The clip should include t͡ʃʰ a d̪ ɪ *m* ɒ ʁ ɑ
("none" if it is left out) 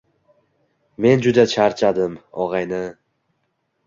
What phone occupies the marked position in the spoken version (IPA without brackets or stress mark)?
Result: m